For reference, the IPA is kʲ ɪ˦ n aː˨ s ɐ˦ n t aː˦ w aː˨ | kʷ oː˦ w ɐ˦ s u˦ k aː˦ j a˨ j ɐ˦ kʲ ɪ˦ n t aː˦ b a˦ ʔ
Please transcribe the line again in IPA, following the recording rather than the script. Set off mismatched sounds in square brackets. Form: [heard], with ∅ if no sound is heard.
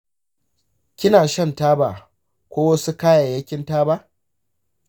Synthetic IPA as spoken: kʲ ɪ˦ n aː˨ [ʃ] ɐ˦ n t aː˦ [b] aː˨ | kʷ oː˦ w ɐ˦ s u˦ k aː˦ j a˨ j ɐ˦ kʲ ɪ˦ n t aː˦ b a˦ ʔ

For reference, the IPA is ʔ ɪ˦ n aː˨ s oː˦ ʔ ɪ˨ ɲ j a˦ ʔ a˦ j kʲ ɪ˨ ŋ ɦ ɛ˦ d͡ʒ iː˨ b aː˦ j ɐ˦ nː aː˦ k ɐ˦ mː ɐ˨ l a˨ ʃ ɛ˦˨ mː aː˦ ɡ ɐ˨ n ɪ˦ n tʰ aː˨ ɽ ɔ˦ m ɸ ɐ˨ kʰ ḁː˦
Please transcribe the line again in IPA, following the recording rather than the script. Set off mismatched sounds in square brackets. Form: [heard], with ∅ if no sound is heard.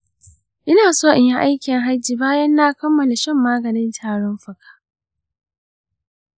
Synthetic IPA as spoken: ʔ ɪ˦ n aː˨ s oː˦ ʔ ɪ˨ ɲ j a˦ ʔ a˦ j kʲ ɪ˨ ŋ ɦ [a˦] d͡ʒ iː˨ b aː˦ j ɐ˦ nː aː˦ k ɐ˦ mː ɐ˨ l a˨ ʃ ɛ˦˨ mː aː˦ ɡ ɐ˨ n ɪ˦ n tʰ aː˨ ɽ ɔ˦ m ɸ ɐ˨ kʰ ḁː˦

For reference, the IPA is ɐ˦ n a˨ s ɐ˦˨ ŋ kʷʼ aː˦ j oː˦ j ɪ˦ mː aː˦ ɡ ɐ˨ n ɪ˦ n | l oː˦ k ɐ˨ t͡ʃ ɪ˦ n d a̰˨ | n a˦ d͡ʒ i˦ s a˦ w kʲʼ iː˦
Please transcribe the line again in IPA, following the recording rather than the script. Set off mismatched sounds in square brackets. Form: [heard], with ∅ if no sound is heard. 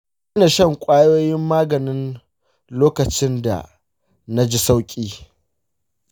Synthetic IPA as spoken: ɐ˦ n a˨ [ʃ] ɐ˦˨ ŋ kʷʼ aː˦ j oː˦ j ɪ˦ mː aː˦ ɡ ɐ˨ n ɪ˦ n | l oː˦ k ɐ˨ t͡ʃ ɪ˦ n d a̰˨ | n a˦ d͡ʒ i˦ s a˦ w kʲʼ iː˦

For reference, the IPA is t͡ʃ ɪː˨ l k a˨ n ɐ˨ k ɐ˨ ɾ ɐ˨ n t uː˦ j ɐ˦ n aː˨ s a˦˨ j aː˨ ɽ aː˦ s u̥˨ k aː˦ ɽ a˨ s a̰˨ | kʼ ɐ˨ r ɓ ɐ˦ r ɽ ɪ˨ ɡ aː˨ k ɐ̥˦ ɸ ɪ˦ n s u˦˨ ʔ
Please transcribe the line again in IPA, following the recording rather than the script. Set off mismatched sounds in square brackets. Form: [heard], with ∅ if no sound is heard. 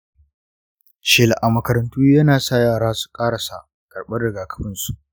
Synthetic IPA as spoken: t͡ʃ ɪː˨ l [ʔ] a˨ [m] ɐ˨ k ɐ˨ ɾ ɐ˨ n t uː˦ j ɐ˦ n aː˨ s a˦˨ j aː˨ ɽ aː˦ s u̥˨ [kʼ] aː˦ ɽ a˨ s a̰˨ | kʼ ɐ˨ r ɓ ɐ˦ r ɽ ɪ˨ ɡ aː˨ k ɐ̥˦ ɸ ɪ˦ n s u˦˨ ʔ

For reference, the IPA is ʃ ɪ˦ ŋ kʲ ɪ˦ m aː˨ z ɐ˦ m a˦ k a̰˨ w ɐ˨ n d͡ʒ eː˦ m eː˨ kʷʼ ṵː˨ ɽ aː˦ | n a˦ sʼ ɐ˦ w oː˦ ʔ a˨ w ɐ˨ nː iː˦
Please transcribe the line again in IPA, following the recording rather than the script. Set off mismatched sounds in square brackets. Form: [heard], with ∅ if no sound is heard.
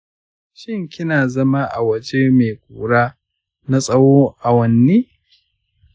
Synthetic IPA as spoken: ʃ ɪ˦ ŋ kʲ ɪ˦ [n] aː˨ z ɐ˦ m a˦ [ʔ] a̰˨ w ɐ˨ [∅] d͡ʒ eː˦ m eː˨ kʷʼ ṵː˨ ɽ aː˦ | n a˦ sʼ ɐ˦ w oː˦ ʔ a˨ w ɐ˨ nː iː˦

